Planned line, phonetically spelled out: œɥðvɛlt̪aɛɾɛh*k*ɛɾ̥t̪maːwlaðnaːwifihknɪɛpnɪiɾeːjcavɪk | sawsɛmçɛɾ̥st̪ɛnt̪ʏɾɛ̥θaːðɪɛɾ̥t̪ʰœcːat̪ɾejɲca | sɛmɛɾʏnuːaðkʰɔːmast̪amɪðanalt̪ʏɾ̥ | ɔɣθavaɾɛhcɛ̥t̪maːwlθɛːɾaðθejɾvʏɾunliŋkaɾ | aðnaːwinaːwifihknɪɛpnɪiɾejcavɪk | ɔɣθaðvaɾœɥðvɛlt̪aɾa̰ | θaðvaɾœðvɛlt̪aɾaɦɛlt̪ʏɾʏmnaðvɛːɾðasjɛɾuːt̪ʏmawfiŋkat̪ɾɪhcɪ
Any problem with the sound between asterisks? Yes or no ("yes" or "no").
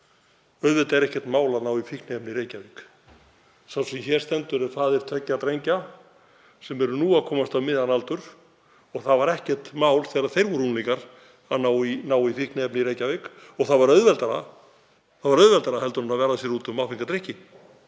yes